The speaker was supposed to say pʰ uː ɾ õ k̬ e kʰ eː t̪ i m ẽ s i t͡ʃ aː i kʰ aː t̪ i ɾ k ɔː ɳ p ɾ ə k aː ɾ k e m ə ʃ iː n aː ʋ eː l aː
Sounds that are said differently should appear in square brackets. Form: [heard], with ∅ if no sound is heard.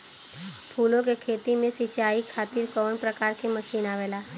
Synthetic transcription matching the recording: pʰ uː [l] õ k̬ e kʰ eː t̪ i m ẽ s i t͡ʃ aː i kʰ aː t̪ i ɾ k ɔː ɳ p ɾ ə k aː ɾ k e m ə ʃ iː n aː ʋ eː l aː